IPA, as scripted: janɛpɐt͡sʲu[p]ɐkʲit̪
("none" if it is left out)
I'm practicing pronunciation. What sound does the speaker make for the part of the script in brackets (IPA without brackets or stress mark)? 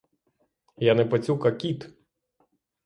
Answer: k